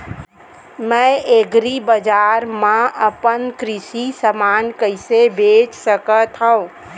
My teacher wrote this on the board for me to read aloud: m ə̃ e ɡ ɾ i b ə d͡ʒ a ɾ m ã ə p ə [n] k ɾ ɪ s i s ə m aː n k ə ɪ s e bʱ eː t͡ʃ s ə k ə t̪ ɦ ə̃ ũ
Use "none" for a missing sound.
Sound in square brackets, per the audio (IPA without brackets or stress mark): n